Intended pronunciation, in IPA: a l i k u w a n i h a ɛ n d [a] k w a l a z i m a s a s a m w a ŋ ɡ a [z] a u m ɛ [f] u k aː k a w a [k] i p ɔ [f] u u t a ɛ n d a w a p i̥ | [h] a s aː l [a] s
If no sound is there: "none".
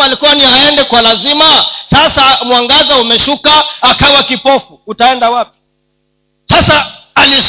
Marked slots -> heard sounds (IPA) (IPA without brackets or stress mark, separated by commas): ɛ, z, ʃ, k, f, s, i